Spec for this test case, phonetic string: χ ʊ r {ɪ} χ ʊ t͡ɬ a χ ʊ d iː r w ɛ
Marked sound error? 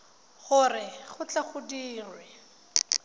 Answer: no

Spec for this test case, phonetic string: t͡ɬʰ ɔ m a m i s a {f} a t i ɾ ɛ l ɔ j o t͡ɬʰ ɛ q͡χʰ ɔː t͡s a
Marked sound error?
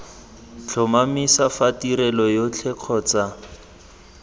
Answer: no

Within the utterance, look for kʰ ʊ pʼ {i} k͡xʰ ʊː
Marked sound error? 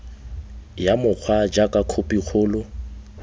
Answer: no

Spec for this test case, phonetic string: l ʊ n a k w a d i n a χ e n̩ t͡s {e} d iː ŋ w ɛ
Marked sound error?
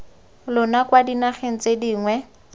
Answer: no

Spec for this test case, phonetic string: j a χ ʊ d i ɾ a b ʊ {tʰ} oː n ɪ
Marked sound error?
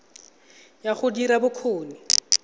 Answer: yes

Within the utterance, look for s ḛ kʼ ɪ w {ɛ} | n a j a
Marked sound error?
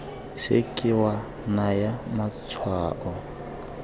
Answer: yes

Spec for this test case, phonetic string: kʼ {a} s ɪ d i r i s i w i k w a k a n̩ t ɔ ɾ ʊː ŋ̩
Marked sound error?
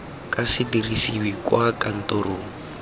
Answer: no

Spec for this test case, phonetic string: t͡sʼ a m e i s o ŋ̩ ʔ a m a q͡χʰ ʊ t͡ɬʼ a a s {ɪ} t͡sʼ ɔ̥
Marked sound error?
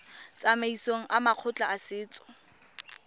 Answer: yes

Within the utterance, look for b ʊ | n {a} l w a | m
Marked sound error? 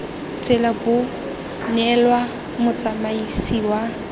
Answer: yes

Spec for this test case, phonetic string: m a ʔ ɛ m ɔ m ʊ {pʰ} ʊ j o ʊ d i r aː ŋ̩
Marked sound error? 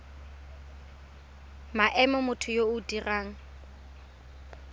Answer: yes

